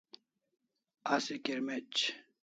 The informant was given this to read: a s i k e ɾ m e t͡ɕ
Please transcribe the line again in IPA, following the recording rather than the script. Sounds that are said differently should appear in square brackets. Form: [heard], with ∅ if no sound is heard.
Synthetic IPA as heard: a s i k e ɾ m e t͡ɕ